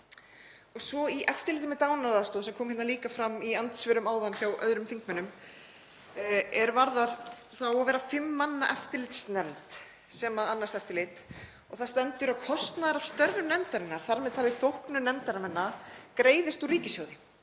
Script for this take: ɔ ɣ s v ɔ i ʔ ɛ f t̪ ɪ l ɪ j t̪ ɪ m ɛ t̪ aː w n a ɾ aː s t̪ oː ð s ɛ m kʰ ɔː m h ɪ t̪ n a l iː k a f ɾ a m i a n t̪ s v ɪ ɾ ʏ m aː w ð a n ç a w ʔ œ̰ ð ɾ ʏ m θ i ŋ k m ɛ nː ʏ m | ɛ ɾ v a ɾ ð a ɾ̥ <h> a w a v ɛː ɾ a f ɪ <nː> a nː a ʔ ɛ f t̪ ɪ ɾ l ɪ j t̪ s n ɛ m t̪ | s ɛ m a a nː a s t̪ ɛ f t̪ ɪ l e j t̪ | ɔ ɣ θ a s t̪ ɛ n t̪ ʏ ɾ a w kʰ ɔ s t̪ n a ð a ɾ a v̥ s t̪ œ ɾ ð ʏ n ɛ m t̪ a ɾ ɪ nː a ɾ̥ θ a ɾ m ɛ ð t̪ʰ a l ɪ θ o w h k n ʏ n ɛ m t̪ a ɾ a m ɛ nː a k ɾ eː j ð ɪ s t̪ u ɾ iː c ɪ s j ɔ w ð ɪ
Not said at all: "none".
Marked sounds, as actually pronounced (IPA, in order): θ, mː

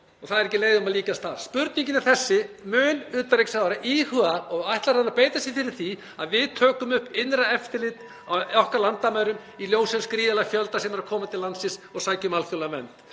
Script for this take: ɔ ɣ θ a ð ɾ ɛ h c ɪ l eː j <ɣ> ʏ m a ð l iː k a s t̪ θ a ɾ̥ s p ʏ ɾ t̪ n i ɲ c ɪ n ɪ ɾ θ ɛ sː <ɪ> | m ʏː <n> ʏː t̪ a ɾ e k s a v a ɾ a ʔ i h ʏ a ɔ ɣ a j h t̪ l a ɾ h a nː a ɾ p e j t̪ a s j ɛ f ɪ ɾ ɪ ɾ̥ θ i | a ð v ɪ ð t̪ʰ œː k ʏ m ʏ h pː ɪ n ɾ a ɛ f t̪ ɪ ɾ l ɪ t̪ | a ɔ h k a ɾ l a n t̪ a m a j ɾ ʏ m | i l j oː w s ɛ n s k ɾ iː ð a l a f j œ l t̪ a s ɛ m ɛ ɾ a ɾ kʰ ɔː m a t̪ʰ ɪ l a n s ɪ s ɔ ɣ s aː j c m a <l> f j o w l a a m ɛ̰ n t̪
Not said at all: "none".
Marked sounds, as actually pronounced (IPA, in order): ð, ɪ, n, l

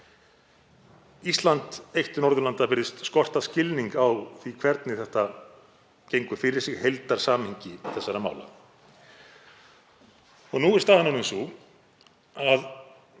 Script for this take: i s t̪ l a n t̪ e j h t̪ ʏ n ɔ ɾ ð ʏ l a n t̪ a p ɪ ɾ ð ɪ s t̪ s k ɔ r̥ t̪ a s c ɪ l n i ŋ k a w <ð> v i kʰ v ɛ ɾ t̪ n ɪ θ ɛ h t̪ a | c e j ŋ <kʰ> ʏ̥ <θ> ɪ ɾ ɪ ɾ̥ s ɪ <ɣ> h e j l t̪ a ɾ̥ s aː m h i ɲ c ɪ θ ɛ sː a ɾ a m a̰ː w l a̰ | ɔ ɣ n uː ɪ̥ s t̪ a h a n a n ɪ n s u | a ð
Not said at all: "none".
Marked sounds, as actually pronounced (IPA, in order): θ, k, f, ɣ

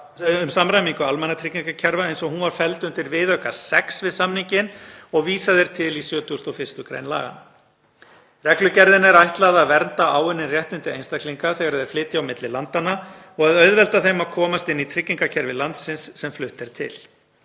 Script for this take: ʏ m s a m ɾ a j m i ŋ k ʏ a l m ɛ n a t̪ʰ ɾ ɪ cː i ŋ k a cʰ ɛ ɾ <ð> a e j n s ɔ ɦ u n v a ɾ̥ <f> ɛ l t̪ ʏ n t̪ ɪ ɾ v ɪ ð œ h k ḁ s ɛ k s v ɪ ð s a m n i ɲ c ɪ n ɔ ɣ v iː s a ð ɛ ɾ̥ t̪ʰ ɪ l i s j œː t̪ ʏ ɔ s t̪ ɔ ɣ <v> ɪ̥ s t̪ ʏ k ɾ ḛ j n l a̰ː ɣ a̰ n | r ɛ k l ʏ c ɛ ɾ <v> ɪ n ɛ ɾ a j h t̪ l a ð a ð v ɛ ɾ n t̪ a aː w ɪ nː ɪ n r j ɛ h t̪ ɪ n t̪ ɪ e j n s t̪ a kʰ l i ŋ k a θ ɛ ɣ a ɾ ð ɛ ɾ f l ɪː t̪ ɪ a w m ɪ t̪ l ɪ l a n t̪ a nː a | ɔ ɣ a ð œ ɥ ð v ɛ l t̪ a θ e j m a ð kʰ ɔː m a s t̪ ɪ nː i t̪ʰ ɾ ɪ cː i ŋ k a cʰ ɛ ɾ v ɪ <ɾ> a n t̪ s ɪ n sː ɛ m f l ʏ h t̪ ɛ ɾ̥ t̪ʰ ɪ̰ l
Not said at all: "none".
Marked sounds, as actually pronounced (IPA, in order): v, f, f, ð, l

